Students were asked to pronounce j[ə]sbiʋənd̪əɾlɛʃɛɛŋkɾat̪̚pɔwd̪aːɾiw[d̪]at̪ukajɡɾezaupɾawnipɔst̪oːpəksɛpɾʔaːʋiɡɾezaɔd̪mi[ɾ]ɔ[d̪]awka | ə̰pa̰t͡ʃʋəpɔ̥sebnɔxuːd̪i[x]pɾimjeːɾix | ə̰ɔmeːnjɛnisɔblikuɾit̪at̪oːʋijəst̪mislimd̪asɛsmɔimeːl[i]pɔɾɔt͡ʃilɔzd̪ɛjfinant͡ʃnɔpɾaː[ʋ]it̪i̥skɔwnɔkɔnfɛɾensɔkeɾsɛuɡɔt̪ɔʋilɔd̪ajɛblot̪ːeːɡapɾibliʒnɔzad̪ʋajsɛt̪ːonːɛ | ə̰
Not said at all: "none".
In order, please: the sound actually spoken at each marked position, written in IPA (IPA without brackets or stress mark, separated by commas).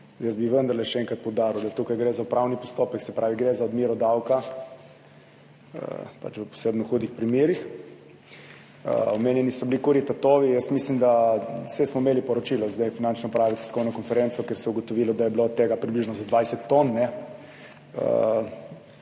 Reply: ə, d̪, ɾ, d̪, x, i, ʋ